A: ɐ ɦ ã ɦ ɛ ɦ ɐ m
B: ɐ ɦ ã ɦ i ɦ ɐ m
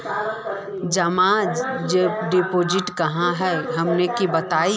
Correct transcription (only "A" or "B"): A